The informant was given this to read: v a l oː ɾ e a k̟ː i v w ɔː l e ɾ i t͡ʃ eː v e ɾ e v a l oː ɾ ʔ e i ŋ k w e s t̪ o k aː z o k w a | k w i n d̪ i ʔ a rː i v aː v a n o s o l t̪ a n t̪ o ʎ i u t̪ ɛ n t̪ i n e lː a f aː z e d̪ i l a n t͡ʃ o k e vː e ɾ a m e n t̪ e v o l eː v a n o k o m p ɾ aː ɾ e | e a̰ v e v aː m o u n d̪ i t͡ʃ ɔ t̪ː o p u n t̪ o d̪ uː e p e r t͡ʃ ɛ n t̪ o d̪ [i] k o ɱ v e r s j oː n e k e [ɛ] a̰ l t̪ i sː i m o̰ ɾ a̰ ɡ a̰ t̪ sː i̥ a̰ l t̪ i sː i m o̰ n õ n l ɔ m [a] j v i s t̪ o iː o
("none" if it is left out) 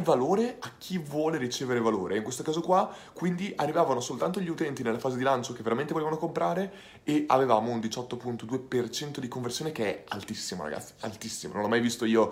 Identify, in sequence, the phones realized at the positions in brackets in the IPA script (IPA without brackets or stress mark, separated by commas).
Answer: i, ɛ, a